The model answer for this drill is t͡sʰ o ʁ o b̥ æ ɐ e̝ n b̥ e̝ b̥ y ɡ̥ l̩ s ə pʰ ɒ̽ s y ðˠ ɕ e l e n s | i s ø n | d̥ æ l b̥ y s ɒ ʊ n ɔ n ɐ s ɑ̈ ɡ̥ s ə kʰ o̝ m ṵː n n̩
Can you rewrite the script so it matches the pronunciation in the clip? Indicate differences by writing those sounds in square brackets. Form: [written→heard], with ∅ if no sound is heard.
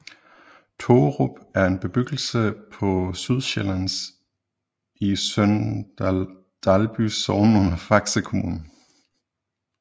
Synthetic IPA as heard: t͡sʰ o ʁ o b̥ æ ɐ e̝ n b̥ e̝ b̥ y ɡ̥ l̩ s ə pʰ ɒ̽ s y ðˠ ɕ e l [e→æ] n s | i s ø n | d̥ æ l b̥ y s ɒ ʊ n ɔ n ɐ [s→f] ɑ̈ ɡ̥ s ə kʰ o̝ m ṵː n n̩

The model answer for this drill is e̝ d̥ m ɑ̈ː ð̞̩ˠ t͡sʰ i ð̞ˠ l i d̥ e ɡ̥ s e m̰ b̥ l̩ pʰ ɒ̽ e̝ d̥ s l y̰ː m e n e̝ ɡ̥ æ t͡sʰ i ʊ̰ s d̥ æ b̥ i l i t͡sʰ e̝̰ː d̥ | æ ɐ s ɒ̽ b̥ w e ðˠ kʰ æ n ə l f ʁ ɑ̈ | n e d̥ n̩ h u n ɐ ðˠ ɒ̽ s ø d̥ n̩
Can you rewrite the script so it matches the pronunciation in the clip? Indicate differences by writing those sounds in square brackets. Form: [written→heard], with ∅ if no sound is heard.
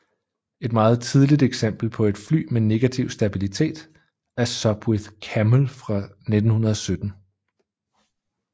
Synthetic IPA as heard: e̝ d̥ m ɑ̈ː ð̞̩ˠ t͡sʰ i ð̞ˠ l i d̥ e ɡ̥ s e m̰ b̥ l̩ pʰ ɒ̽ e̝ d̥ [s→f] l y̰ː m e n e̝ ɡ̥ æ t͡sʰ i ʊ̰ s d̥ æ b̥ i l i t͡sʰ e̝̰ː d̥ | æ ɐ s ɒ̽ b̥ w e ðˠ kʰ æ [n→m] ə l f ʁ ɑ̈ | n e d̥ n̩ h u n ɐ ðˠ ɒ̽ s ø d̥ n̩

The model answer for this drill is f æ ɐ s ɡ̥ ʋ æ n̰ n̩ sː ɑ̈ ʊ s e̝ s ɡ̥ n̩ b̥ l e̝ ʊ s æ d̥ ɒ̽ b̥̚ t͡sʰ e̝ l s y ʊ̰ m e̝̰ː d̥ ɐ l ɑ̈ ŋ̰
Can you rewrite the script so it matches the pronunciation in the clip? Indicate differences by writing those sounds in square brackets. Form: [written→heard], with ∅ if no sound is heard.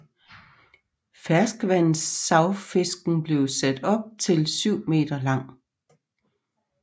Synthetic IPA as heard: f æ ɐ s ɡ̥ ʋ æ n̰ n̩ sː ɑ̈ ʊ [s→f] e̝ s ɡ̥ n̩ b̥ l e̝ ʊ s æ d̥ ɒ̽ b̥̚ t͡sʰ e̝ l s y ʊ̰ m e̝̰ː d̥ ɐ l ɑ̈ ŋ̰

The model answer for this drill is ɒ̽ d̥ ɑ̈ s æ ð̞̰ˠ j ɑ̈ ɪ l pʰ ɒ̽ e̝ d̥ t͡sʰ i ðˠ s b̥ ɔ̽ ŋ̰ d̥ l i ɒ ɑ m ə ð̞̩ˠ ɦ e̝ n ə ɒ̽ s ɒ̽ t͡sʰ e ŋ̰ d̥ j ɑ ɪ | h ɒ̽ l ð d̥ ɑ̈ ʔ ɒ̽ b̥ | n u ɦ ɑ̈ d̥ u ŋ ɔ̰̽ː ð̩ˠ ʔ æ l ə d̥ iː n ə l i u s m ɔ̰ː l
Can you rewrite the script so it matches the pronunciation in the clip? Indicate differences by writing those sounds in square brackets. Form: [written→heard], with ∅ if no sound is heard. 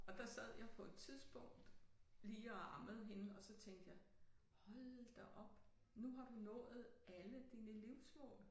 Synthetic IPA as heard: ɒ̽ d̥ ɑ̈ s æ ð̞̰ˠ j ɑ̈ ɪ [l→∅] pʰ ɒ̽ e̝ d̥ t͡sʰ i ðˠ s b̥ ɔ̽ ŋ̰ d̥ l [i→iː] ɒ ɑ m ə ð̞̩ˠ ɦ e̝ n ə ɒ̽ s ɒ̽ t͡sʰ e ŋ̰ d̥ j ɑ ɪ | h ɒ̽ l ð d̥ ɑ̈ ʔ ɒ̽ b̥ | n u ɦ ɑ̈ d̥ u [ŋ→n] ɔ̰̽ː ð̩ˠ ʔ æ l ə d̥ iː n ə l i [u→ʊ] s m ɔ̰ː l

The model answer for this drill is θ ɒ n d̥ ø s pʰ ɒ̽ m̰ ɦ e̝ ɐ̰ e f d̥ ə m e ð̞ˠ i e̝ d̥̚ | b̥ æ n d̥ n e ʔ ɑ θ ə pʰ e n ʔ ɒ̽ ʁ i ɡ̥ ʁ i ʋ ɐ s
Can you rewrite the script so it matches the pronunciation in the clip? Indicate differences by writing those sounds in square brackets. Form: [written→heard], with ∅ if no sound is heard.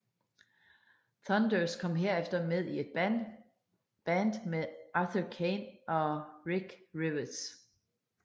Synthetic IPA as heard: θ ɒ n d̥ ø s [pʰ→kʰ] ɒ̽ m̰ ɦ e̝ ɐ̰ e f d̥ [ə→ɐ] m e ð̞ˠ i e̝ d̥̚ | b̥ æ n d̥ [n→m] e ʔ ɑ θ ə [pʰ→kʰ] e n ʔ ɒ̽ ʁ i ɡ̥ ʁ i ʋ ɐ s

